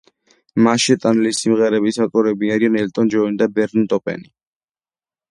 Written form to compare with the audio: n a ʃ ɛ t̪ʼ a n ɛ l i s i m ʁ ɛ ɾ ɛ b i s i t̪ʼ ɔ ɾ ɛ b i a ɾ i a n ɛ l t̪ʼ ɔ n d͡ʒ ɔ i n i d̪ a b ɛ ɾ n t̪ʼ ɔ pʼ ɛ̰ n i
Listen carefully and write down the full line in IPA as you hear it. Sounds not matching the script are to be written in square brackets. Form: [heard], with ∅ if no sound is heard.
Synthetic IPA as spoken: [m] a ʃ ɛ t̪ʼ a n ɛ l i s i m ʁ ɛ ɾ ɛ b i s [a] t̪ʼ ɔ ɾ ɛ b i a ɾ i a n ɛ l t̪ʼ ɔ n d͡ʒ ɔ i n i d̪ a b ɛ ɾ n t̪ʼ ɔ pʼ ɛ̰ n i